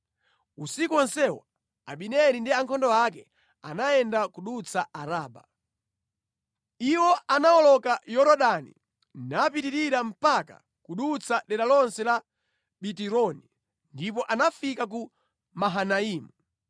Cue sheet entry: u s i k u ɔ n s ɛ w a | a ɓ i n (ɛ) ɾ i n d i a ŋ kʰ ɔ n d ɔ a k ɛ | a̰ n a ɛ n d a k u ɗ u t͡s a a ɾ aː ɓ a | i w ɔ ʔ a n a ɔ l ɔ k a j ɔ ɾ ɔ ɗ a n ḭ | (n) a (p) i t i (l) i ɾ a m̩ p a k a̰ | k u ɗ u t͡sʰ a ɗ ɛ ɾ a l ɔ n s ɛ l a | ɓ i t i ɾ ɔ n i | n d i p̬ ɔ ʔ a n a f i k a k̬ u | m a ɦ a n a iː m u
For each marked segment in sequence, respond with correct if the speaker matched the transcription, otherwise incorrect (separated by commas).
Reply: correct, correct, correct, incorrect